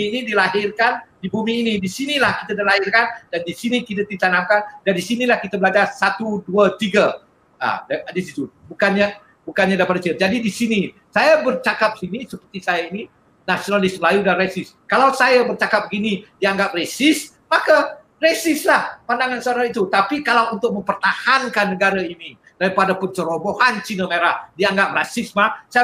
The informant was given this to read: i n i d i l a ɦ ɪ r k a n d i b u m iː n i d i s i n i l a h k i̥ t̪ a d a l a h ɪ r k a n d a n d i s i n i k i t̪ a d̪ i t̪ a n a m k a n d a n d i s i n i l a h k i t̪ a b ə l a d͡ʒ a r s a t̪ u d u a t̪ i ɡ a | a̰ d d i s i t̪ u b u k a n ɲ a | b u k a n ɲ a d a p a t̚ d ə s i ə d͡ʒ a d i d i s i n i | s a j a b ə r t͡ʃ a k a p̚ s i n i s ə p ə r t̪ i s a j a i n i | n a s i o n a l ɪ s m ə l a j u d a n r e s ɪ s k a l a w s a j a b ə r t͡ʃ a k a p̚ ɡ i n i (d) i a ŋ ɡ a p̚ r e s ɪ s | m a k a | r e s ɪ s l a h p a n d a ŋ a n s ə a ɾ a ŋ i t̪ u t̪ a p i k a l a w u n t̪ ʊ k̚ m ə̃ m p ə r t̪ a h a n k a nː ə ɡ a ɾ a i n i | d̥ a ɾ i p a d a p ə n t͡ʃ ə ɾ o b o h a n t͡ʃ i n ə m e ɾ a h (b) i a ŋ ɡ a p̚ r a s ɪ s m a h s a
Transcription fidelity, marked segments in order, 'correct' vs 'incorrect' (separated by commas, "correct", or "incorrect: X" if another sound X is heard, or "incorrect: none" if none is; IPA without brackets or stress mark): correct, incorrect: d